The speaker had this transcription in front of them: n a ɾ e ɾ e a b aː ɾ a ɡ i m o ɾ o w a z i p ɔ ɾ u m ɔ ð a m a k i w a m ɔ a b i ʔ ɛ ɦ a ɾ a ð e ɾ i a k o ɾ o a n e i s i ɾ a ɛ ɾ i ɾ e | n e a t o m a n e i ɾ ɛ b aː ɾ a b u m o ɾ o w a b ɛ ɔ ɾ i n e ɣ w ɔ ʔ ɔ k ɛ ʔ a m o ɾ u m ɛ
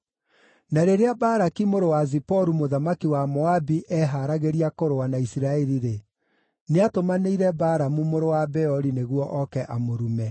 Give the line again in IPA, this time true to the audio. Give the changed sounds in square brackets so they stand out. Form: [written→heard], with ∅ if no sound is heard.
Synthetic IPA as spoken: n a ɾ e ɾ e a b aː ɾ a [ɡ→k] i m o ɾ o w a z i p ɔ ɾ u m [ɔ→o] ð a m a k i w a m ɔ a b i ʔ ɛ ɦ a ɾ a [ð→ɣ] e ɾ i a k o ɾ o a n [e→a] i s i ɾ a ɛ ɾ i ɾ e | n e a t o m a n e i ɾ ɛ b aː ɾ a [b→m] u m o ɾ o w a b ɛ ɔ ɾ i n e ɣ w ɔ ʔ ɔ k ɛ ʔ a m o ɾ u m ɛ